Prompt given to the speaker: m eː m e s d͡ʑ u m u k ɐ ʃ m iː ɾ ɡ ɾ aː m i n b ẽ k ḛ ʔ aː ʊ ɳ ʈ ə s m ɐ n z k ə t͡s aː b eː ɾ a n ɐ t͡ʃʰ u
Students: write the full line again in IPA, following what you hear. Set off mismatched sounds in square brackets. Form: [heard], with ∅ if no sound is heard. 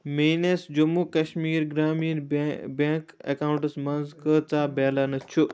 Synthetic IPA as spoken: m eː [n] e s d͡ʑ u m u k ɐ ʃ m iː ɾ ɡ ɾ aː m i n b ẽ k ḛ [k] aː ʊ ɳ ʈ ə s m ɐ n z k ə t͡s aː b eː [l] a n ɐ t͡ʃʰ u